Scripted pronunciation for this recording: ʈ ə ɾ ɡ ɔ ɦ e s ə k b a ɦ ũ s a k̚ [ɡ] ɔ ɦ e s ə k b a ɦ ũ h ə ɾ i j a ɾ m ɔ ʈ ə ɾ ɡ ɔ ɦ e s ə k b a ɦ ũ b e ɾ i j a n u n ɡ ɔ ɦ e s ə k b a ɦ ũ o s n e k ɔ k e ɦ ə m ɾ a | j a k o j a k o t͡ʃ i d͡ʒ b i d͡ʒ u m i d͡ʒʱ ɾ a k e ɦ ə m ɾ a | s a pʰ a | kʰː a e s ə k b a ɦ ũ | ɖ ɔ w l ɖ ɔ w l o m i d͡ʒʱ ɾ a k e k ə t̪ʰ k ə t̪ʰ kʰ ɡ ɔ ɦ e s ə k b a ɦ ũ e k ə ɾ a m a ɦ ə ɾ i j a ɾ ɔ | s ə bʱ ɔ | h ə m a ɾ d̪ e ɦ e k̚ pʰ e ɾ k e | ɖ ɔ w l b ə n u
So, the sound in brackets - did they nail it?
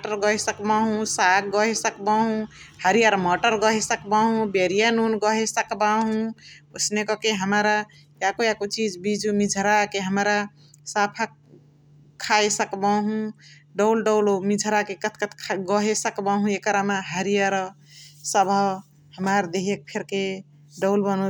yes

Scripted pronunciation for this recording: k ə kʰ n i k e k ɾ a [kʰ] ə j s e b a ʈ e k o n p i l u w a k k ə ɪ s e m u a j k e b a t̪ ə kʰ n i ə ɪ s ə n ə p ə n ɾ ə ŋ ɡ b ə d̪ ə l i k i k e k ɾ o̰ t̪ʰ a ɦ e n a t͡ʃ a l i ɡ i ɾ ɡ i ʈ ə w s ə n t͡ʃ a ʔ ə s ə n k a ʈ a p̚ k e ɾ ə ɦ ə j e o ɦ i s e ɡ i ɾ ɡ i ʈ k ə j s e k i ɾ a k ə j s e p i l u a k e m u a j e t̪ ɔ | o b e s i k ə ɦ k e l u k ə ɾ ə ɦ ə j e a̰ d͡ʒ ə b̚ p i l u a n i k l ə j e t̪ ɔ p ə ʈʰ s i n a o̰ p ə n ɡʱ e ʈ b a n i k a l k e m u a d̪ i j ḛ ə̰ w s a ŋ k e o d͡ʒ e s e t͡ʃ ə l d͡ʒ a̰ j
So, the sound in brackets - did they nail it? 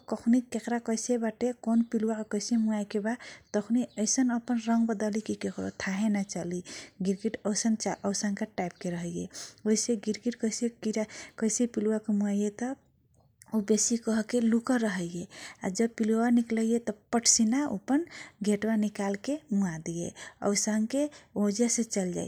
no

